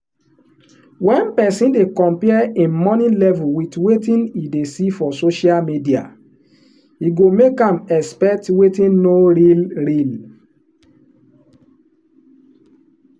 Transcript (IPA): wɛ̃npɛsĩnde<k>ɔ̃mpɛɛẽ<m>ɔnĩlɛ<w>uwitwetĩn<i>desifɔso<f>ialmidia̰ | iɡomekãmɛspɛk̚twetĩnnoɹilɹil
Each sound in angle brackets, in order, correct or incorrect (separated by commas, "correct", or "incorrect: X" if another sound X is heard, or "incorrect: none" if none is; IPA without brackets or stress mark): correct, correct, incorrect: v, correct, incorrect: ʃ